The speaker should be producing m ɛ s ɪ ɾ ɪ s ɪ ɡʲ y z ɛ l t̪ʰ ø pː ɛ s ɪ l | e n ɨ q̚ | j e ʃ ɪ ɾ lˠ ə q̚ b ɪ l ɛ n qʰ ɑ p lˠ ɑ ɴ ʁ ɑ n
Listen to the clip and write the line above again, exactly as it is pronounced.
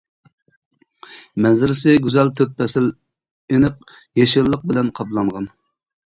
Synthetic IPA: m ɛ z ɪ ɾ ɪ s ɪ ɡʲ y z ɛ l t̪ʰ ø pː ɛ s ɪ l | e n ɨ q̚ | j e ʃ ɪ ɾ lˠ ə q̚ b ɪ l ɛ n qʰ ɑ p lˠ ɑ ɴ ʁ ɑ n